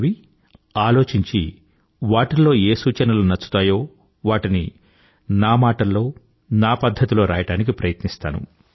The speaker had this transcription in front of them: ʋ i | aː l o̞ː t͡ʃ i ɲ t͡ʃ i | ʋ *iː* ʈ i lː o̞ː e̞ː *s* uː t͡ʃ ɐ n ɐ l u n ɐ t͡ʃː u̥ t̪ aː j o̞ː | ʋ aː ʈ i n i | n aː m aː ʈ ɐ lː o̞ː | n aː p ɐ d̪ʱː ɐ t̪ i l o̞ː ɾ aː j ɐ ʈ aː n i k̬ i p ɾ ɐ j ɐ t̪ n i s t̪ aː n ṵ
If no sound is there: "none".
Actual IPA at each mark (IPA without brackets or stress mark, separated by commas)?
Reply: aː, s